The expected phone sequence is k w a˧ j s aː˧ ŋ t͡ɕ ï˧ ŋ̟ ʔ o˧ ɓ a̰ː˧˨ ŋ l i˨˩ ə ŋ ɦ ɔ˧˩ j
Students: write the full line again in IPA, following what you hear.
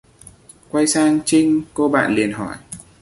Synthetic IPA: k w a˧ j s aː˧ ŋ t͡ɕ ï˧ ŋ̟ k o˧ ɓ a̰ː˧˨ n l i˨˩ ə n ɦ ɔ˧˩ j